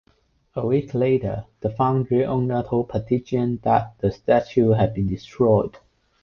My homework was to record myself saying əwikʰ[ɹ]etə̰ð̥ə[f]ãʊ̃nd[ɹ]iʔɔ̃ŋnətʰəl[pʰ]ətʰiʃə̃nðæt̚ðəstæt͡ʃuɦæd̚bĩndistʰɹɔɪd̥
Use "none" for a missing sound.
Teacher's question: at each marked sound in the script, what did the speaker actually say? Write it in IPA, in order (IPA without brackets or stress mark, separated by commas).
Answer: l, f, ɹ, pʰ